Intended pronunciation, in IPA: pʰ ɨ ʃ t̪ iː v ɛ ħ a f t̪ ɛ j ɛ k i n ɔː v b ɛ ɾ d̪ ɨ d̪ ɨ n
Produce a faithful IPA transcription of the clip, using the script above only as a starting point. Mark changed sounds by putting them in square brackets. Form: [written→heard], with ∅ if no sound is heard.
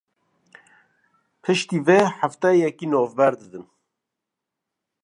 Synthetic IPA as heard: pʰ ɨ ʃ t̪ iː v ɛ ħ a f t̪ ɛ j ɛ k i n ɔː v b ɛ ɾ d̪ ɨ d̪ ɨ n